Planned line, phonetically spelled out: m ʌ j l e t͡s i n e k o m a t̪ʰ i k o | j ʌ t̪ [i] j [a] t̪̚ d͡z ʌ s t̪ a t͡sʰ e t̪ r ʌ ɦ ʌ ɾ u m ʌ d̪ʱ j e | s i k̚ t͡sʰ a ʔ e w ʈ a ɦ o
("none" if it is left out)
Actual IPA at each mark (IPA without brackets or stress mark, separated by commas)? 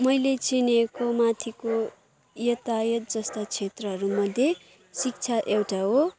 a, ʌ